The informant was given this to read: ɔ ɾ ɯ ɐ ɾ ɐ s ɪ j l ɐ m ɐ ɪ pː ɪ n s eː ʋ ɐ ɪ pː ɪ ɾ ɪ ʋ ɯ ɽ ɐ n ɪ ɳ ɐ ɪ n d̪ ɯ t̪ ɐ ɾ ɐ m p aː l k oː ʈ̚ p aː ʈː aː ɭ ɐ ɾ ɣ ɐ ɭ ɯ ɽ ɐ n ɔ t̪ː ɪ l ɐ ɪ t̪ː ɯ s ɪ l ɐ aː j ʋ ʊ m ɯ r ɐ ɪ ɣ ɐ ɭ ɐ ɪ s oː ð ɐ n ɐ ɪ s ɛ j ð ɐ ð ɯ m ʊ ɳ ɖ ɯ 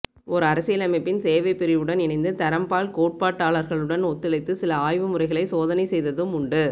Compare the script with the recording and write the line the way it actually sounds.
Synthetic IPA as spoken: ɔ ɾ ɯ ɐ ɾ ɐ s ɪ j l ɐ m ɐ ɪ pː ɪ n s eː ʋ ɐ ɪ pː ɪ ɾ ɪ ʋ ɯ ɽ ɐ n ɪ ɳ ɐ ɪ n d̪ ɯ t̪ ɐ ɾ ɐ m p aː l k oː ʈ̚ p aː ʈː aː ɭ ɐ ɾ ɣ ɐ ɭ ɯ ɽ ɐ n ɔ t̪ː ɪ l ɐ ɪ t̪ː ɯ s ɪ l ɐ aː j ʋ ɯ m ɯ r ɐ ɪ ɣ ɐ ɭ ɐ ɪ s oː ð ɐ n ɐ ɪ s ɛ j ð ɐ ð ɯ m ʊ ɳ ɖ ɯ